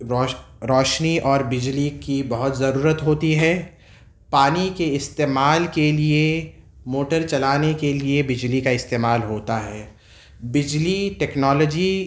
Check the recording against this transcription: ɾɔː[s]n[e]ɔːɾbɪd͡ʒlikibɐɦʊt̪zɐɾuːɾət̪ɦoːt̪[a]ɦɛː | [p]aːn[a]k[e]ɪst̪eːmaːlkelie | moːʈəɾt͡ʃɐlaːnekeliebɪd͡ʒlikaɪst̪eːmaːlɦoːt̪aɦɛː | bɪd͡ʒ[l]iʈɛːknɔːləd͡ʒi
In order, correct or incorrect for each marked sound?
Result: incorrect, incorrect, incorrect, correct, incorrect, correct, correct

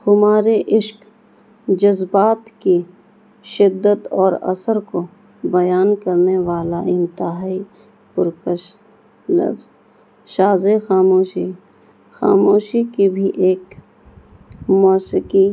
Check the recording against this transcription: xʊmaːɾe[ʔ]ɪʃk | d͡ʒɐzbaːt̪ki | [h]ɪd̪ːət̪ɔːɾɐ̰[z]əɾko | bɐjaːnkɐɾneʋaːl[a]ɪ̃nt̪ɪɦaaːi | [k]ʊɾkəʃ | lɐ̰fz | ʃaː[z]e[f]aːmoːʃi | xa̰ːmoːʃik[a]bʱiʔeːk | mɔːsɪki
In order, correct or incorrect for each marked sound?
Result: correct, incorrect, incorrect, correct, incorrect, correct, incorrect, incorrect

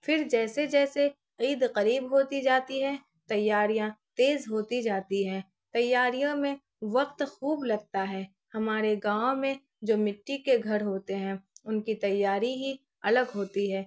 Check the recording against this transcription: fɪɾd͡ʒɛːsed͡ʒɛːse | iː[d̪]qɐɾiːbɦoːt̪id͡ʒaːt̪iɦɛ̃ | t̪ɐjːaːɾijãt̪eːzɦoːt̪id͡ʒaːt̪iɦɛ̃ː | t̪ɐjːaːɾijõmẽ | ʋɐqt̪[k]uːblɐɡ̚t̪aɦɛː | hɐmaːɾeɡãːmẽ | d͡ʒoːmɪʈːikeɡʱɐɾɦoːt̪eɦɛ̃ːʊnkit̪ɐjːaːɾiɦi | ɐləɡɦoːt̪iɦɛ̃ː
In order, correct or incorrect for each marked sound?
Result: correct, incorrect

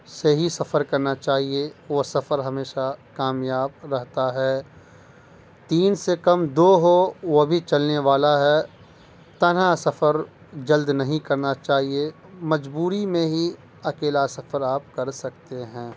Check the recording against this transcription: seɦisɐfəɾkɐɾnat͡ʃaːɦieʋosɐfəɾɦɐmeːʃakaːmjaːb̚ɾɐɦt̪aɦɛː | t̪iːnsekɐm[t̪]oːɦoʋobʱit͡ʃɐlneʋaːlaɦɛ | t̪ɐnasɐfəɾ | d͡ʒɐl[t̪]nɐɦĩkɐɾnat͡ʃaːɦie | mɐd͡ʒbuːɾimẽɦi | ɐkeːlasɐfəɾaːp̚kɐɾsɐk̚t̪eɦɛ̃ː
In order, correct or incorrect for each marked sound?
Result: incorrect, incorrect

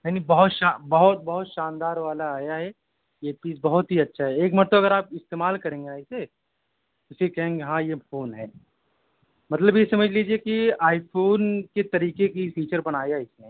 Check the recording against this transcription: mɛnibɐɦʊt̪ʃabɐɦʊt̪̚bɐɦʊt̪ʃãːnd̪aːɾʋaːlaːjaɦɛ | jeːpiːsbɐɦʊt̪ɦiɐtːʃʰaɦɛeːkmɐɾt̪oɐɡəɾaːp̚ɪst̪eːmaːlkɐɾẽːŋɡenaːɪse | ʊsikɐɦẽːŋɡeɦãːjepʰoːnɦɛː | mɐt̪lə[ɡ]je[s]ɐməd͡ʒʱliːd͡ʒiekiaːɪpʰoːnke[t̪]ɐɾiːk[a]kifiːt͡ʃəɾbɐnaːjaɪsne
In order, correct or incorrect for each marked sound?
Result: incorrect, correct, correct, incorrect

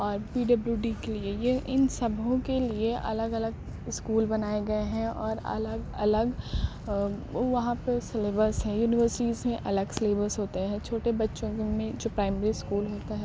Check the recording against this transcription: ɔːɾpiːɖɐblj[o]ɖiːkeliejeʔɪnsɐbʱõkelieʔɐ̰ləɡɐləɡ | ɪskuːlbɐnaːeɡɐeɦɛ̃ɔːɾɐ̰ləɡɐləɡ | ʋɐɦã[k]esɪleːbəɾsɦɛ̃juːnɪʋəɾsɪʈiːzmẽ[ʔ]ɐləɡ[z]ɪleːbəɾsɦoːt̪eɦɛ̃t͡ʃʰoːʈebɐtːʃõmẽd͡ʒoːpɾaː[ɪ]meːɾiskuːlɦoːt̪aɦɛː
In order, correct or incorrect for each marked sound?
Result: incorrect, incorrect, correct, incorrect, correct

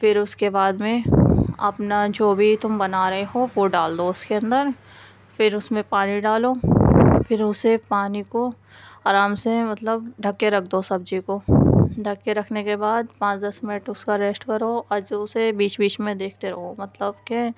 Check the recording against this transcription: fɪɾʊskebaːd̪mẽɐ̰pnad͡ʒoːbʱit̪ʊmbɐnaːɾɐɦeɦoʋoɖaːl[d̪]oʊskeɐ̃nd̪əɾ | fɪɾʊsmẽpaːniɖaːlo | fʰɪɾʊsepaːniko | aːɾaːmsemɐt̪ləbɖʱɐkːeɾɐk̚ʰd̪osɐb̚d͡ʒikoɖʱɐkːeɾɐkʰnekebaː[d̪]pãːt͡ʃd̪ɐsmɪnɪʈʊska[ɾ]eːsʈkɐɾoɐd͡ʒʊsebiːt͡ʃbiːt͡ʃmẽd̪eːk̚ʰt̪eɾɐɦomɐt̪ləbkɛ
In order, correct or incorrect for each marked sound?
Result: correct, correct, correct

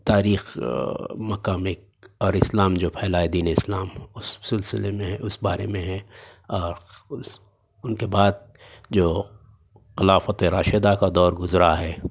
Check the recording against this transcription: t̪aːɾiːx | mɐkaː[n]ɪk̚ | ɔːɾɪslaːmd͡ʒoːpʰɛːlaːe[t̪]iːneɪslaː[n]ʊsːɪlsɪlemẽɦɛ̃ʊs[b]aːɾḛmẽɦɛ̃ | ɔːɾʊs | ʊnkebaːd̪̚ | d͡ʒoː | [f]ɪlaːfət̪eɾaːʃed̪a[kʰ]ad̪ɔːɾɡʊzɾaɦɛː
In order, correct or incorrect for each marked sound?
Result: incorrect, incorrect, incorrect, correct, incorrect, incorrect

